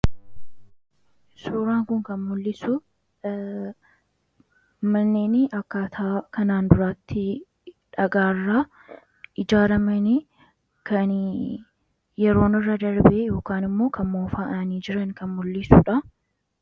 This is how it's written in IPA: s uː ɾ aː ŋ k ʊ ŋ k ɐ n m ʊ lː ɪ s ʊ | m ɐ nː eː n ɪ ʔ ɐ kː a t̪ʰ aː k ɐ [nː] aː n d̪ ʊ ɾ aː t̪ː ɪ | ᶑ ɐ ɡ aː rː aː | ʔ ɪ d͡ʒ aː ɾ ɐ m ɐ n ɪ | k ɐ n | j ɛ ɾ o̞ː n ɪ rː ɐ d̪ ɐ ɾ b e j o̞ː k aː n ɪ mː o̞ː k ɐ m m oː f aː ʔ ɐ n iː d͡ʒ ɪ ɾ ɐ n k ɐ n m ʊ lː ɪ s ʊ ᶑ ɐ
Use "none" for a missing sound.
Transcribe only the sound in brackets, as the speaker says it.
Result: n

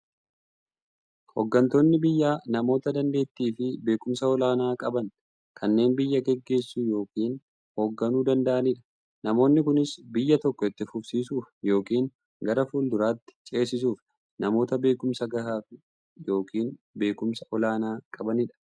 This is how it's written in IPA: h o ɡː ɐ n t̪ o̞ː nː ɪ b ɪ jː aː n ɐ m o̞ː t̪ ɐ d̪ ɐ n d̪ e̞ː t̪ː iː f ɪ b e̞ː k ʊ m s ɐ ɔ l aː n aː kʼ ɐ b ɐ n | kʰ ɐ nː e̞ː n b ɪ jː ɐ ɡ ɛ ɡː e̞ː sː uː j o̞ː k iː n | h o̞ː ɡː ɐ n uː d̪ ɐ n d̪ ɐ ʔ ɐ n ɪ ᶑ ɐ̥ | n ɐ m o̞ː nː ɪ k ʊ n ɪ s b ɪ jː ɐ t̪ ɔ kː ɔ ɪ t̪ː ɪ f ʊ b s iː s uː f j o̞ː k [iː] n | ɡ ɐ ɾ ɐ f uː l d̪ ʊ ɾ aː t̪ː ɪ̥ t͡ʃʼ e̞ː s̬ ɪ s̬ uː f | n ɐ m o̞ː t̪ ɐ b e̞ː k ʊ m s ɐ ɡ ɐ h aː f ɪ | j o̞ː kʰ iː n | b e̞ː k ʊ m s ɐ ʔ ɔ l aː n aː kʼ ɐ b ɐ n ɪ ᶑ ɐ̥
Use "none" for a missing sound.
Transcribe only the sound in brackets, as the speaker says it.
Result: iː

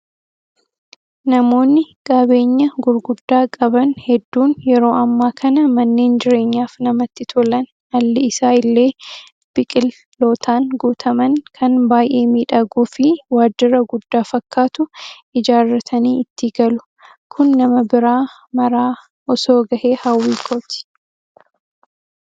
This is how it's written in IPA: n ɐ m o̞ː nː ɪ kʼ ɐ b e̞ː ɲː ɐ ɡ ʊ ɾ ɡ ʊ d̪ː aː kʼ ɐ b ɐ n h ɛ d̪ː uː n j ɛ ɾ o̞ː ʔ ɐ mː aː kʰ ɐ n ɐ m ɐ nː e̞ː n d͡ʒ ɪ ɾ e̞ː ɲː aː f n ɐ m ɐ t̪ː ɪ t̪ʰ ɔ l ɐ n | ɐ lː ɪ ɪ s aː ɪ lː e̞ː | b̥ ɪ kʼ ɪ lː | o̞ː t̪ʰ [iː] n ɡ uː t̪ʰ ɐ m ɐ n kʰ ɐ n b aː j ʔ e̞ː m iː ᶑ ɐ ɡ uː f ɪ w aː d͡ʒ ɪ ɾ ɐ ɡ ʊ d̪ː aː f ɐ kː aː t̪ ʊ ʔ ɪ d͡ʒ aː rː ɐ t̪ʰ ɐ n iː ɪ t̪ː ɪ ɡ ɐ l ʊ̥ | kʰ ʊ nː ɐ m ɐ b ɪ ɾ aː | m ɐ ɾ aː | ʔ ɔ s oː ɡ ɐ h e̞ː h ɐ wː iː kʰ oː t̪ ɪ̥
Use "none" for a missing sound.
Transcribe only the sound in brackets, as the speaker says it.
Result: aː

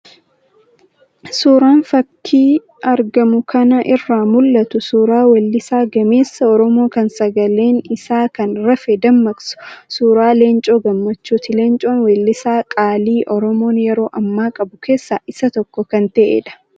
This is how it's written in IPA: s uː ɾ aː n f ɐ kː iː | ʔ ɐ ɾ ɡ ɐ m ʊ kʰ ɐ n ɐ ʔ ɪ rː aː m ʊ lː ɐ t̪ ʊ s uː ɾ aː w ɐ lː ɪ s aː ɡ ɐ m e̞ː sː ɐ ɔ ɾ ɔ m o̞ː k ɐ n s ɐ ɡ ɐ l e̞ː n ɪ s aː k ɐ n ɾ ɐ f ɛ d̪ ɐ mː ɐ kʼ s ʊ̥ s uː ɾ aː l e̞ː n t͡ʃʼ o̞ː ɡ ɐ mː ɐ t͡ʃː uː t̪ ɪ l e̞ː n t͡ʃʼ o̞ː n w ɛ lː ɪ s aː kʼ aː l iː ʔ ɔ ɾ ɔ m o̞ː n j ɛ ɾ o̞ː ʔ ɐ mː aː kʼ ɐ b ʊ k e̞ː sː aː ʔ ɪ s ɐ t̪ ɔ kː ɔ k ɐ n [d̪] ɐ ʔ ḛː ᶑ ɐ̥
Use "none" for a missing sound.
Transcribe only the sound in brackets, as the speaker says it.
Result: t̪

